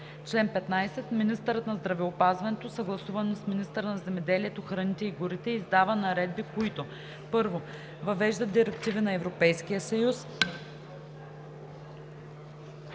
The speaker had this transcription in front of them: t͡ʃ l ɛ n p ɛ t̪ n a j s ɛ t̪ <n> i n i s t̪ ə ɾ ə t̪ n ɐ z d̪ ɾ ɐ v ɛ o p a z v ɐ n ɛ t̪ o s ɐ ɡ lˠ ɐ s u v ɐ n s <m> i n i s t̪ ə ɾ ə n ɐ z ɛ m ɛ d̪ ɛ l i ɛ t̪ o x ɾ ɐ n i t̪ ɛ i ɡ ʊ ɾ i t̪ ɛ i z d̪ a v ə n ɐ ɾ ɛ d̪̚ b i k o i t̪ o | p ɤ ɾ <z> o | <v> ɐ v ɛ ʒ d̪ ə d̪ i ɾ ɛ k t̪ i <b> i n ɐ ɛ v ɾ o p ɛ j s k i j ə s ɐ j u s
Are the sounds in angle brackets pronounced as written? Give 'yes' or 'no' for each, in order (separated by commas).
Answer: no, yes, no, yes, no